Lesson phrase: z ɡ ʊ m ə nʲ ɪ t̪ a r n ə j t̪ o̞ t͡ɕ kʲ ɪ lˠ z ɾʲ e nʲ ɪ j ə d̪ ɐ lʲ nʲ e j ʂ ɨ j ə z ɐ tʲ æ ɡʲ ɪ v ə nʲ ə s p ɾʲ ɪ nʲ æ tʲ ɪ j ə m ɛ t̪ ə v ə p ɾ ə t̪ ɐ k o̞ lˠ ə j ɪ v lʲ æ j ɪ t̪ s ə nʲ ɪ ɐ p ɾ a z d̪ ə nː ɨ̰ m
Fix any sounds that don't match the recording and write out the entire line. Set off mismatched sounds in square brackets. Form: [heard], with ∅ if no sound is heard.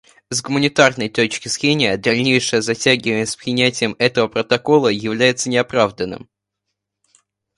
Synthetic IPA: z ɡ ʊ m ə nʲ ɪ t̪ a r n ə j t̪ o̞ t͡ɕ kʲ ɪ [∅] z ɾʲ e nʲ ɪ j ə d̪ ɐ lʲ nʲ e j ʂ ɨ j ə z ɐ tʲ æ ɡʲ ɪ v ə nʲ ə s p ɾʲ ɪ nʲ æ tʲ ɪ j ə m ɛ t̪ ə v ə p ɾ ə t̪ ɐ k o̞ lˠ ə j ɪ v lʲ æ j ɪ t̪ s ə nʲ ɪ ɐ p ɾ a [v] d̪ ə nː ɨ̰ m